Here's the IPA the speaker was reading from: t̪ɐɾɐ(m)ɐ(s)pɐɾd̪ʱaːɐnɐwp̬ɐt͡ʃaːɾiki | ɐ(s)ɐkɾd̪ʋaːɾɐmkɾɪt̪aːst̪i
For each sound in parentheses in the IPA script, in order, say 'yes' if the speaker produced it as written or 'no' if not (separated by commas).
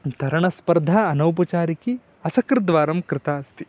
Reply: no, yes, yes